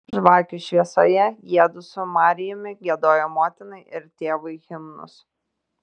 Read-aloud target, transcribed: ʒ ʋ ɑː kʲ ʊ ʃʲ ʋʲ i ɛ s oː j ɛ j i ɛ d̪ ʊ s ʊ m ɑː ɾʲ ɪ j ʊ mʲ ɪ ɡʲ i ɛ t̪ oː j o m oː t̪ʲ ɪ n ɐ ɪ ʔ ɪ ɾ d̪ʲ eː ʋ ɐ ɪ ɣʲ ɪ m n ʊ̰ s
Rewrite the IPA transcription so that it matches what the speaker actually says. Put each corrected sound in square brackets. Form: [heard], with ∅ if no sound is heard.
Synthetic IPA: ʒ ʋ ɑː kʲ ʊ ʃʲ ʋʲ i ɛ s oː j ɛ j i ɛ d̪ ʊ s ʊ m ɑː ɾʲ ɪ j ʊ mʲ ɪ ɡʲ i ɛ [d̪] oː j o m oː t̪ʲ ɪ n ɐ ɪ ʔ ɪ ɾ [t̪ʲ] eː ʋ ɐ ɪ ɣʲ ɪ m n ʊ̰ s

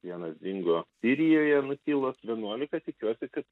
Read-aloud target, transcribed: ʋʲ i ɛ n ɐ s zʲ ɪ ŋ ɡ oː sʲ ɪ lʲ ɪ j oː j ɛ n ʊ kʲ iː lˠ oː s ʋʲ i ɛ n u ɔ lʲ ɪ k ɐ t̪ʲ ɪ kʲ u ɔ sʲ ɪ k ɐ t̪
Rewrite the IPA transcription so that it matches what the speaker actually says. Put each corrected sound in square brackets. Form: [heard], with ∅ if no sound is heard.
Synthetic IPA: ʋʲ i ɛ n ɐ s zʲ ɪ ŋ ɡ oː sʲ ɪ [ɾʲ] ɪ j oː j ɛ n ʊ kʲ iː lˠ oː s ʋʲ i ɛ n u ɔ lʲ ɪ k ɐ t̪ʲ ɪ kʲ u ɔ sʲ ɪ k ɐ t̪

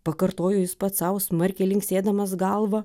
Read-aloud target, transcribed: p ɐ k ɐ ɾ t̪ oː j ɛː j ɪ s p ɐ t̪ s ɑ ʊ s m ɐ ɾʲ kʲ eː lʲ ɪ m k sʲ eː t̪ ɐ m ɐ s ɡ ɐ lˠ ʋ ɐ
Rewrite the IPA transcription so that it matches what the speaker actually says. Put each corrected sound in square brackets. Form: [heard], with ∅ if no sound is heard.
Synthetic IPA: p ɐ k ɐ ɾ t̪ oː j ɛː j ɪ s p ɐ t̪ s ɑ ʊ s m ɐ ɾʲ kʲ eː lʲ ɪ [ŋ] k sʲ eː [d̪] ɐ m ɐ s ɡ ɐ lˠ ʋ ɐ

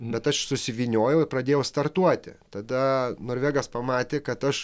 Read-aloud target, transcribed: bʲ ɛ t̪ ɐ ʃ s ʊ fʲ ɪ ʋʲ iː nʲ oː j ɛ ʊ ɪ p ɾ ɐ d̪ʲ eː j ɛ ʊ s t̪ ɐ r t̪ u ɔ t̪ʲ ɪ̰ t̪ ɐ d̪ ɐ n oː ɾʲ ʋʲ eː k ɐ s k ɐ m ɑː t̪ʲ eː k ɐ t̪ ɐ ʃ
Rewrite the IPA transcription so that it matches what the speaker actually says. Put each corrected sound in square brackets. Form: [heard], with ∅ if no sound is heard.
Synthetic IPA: bʲ ɛ t̪ ɐ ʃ s ʊ [sʲ] ɪ ʋʲ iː nʲ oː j ɛ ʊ ɪ p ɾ ɐ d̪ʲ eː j ɛ ʊ s t̪ ɐ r t̪ u ɔ t̪ʲ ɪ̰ t̪ ɐ d̪ ɐ n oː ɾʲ ʋʲ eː [ɡ] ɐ s [p] ɐ m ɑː t̪ʲ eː k ɐ t̪ ɐ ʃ

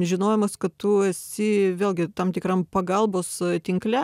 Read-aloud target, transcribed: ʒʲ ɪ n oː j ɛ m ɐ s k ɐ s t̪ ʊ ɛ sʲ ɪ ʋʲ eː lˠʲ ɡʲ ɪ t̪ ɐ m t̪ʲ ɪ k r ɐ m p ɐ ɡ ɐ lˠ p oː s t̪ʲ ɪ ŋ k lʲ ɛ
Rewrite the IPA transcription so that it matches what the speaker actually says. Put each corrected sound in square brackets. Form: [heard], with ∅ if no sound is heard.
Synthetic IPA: ʒʲ ɪ n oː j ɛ m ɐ s k ɐ [t] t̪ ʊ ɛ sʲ ɪ ʋʲ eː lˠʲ ɡʲ ɪ t̪ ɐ m t̪ʲ ɪ k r ɐ m p ɐ ɡ ɐ lˠ [b] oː s t̪ʲ ɪ ŋ k lʲ ɛ

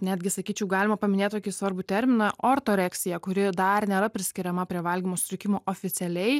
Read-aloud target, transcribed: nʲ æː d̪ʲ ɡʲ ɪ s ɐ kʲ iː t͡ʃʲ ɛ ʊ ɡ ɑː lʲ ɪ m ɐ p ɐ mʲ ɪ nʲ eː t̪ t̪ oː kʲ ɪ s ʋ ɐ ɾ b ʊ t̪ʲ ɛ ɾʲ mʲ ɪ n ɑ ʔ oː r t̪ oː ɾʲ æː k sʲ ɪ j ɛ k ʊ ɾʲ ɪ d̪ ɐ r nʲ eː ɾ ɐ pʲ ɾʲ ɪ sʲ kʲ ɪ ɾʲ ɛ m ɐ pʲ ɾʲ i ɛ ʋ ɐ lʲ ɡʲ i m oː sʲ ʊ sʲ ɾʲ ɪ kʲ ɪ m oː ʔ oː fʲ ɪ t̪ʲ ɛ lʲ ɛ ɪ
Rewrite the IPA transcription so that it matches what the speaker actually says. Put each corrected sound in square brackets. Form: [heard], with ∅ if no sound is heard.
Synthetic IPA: nʲ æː d̪ʲ ɡʲ ɪ s ɐ kʲ iː t͡ʃʲ ɛ ʊ ɡ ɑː lʲ ɪ m ɐ p ɐ mʲ ɪ nʲ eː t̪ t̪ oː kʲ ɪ s ʋ ɐ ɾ b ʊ t̪ʲ ɛ ɾʲ mʲ ɪ n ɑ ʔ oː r t̪ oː ɾʲ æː k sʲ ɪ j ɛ k ʊ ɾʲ ɪ d̪ ɐ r nʲ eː ɾ ɐ pʲ ɾʲ ɪ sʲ kʲ ɪ ɾʲ ɛ m ɐ pʲ ɾʲ i ɛ ʋ ɐ lʲ ɡʲ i m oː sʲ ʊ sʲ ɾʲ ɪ kʲ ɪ m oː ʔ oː fʲ ɪ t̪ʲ ɛ lʲ ɛ ɪ

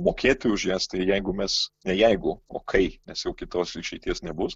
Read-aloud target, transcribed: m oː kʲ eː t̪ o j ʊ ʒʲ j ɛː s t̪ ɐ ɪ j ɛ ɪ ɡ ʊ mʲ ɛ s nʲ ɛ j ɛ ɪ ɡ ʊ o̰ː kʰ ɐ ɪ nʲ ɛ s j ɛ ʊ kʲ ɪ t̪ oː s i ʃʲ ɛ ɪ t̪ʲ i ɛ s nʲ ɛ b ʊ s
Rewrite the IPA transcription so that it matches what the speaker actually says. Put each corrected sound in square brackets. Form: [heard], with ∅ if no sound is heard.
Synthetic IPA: m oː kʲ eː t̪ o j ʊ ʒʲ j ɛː s t̪ ɐ ɪ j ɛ ɪ ɡ ʊ mʲ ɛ s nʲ ɛ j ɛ ɪ ɡ ʊ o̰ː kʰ ɐ ɪ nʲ ɛ s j ɛ ʊ kʲ ɪ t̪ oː s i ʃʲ ɛ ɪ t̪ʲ i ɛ s nʲ ɛ b ʊ s

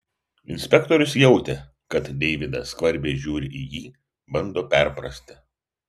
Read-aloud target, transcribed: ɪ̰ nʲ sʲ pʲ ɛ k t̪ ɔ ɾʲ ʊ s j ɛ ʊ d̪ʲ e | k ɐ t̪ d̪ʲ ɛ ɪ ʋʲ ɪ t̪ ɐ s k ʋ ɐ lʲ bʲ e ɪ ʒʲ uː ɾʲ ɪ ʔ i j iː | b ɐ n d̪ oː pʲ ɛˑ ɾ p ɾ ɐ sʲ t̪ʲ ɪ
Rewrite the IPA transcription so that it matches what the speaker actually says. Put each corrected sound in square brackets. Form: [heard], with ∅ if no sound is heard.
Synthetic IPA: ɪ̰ nʲ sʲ pʲ ɛ k t̪ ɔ ɾʲ ʊ s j ɛ ʊ [t̪ʲ] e | k ɐ t̪ d̪ʲ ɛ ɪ ʋʲ ɪ [d̪] ɐ s k ʋ ɐ [ɾʲ] bʲ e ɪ ʒʲ uː ɾʲ ɪ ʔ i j iː | b ɐ n d̪ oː pʲ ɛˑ ɾ p ɾ ɐ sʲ t̪ʲ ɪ

